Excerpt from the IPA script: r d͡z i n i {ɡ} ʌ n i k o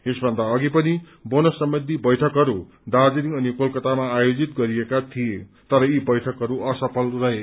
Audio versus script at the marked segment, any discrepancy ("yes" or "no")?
yes